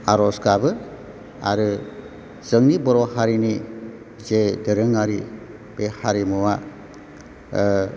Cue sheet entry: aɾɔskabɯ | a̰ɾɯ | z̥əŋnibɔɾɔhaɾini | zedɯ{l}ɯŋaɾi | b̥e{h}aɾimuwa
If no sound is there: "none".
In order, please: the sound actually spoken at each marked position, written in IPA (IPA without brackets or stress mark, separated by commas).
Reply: ɾ, h